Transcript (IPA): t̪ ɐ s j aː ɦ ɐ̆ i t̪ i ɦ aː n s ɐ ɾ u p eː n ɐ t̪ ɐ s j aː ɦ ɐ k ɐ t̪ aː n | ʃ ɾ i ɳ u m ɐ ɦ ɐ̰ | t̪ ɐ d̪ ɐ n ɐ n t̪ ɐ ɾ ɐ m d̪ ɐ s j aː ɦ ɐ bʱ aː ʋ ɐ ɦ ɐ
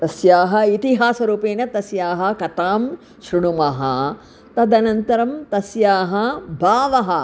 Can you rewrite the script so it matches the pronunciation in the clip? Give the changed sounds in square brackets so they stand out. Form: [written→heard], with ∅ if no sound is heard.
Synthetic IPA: t̪ ɐ s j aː ɦ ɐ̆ i t̪ i ɦ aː [n→∅] s ɐ ɾ [u→uː] p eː n ɐ t̪ ɐ s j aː ɦ ɐ k ɐ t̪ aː [n→m] | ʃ ɾ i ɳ u m ɐ ɦ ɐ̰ | t̪ ɐ d̪ ɐ n ɐ n t̪ ɐ ɾ ɐ m [d̪→t̪] ɐ s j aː ɦ ɐ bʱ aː ʋ ɐ ɦ ɐ